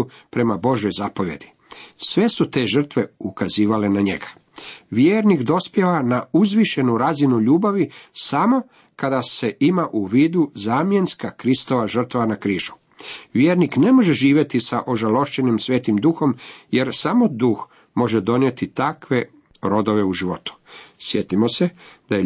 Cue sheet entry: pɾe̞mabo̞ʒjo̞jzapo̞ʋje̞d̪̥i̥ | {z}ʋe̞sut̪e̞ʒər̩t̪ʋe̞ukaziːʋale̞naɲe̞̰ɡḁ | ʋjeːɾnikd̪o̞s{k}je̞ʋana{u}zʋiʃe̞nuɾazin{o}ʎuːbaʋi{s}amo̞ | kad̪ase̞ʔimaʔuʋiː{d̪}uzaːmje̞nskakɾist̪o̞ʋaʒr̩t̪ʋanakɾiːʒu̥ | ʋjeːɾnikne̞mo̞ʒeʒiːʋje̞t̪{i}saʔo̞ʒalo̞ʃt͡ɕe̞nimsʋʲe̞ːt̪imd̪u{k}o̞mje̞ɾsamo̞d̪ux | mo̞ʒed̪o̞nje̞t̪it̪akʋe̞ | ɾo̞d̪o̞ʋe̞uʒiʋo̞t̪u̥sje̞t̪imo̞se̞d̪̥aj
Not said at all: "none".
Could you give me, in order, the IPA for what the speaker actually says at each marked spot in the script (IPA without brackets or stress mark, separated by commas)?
s, p, u, u, s, d̪, i, x